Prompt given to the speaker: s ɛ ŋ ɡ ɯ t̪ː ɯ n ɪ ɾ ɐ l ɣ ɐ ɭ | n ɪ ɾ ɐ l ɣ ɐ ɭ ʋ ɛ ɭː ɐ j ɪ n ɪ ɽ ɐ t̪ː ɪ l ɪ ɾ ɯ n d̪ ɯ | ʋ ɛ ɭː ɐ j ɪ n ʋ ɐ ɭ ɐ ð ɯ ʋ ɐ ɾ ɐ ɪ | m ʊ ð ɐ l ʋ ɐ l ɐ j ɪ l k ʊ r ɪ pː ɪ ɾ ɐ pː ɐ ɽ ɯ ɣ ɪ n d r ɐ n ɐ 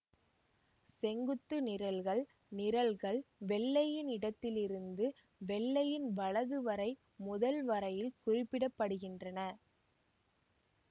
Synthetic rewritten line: s ɛ ŋ ɡ ɯ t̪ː ɯ n ɪ ɾ ɐ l ɣ ɐ ɭ | n ɪ ɾ ɐ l ɣ ɐ ɭ ʋ ɛ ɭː ɐ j ɪ n ɪ ɽ ɐ t̪ː ɪ l ɪ ɾ ɯ n d̪ ɯ | ʋ ɛ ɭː ɐ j ɪ n ʋ ɐ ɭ ɐ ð ɯ ʋ ɐ ɾ ɐ ɪ | m ʊ ð ɐ l ʋ ɐ ɾ ɐ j ɪ l k ʊ r ɪ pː ɪ ɽ ɐ pː ɐ ɽ ɯ ɣ ɪ n d r ɐ n ɐ